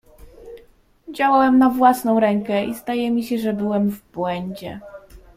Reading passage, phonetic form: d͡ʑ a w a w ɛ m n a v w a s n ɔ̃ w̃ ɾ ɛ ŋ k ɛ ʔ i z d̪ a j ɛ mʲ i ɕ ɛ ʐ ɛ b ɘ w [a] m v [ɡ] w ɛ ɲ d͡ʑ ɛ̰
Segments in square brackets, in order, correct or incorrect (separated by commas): incorrect, incorrect